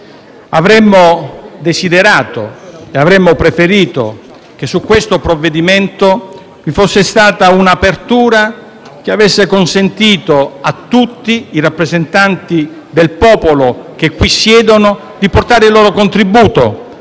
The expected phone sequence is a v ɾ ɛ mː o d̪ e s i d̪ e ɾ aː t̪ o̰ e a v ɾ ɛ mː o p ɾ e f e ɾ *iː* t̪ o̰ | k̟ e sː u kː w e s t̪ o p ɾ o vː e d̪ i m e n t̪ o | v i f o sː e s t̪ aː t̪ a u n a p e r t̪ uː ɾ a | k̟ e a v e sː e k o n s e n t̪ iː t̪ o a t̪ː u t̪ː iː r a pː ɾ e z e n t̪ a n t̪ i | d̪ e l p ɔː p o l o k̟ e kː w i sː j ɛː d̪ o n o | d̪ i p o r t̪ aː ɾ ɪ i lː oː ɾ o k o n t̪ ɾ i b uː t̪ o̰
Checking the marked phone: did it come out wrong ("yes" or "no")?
no